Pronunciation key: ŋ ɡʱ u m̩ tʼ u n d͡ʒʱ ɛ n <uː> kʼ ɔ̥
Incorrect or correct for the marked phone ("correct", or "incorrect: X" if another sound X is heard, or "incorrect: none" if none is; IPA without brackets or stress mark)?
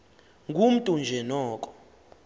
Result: incorrect: ɔː